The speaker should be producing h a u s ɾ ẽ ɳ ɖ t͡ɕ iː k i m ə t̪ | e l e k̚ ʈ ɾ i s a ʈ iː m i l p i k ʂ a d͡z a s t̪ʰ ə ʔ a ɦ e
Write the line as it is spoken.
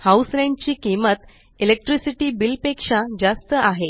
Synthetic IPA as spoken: h a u s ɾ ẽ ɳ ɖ t͡ɕ iː k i m ə t̪ | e l e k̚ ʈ ɾ i s i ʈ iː b i l p e k ʂ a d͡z a s t̪ ə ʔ a ɦ e

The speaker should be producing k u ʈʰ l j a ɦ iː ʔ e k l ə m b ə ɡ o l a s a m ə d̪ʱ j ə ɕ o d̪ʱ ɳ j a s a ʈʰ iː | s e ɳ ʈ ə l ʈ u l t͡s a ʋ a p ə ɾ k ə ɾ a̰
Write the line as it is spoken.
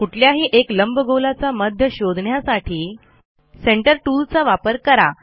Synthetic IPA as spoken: k u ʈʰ l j a ɦ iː ʔ e k l ə m b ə ɡ o l a t͡s a m ə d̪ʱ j ə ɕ o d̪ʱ ɳ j a s a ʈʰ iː | s e ɳ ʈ ə ɾ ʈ u l t͡s a ʋ a p ə ɾ k ə ɾ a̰

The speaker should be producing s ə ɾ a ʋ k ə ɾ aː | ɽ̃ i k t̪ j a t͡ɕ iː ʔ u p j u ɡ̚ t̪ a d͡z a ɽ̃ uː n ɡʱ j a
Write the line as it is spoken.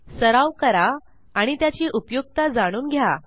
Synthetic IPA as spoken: s ə ɾ a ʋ k ə ɾ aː | ɽ̃ i t̪ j a t͡ɕ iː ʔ u p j u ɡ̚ t̪ a d͡z a ɽ̃ uː n ɡʱ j a

